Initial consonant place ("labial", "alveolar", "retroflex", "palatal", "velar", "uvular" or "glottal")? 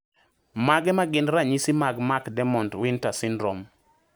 labial